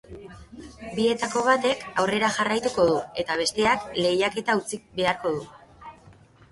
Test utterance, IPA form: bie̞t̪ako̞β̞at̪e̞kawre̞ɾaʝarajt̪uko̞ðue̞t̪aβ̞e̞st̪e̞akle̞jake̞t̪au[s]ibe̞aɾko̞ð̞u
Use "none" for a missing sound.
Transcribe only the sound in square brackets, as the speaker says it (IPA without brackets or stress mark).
t͡s